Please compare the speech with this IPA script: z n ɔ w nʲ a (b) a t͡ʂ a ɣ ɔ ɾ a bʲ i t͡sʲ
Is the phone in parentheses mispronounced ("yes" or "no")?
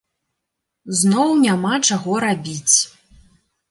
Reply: yes